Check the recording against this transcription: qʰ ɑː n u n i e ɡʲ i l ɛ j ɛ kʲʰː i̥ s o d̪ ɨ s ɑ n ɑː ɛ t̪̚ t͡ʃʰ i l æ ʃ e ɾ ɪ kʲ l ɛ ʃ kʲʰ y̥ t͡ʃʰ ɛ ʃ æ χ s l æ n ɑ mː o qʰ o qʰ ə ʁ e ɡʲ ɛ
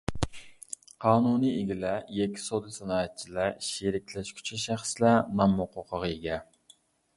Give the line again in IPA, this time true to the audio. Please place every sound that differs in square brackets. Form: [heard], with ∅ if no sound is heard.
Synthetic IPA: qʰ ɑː n u n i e ɡʲ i l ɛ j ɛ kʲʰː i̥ s o d̪ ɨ s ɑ n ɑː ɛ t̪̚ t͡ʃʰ i l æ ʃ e ɾ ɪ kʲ l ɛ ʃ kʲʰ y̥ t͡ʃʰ ɛ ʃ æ χ s l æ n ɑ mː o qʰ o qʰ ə ʁ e ɡʲ ɛ